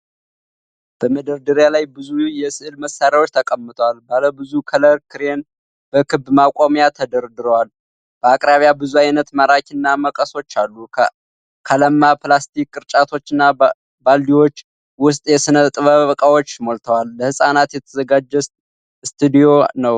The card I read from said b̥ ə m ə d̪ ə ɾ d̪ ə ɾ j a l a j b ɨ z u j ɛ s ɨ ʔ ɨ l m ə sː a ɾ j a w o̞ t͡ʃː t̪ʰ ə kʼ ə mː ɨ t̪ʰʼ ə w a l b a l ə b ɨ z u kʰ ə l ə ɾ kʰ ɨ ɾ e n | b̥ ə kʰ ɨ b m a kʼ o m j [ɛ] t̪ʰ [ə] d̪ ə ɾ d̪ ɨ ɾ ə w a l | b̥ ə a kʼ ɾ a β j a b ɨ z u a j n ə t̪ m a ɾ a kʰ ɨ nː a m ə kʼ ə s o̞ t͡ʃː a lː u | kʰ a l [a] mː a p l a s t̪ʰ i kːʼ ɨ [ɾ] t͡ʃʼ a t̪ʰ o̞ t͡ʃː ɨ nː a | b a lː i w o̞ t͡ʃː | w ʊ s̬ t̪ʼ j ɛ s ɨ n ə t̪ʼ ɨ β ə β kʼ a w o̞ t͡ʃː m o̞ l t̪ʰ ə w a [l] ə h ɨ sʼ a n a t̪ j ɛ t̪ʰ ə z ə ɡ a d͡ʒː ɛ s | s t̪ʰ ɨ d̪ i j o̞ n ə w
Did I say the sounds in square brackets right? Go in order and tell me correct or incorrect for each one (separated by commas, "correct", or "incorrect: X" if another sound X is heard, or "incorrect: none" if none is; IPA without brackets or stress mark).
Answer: incorrect: a, correct, incorrect: ə, correct, incorrect: lː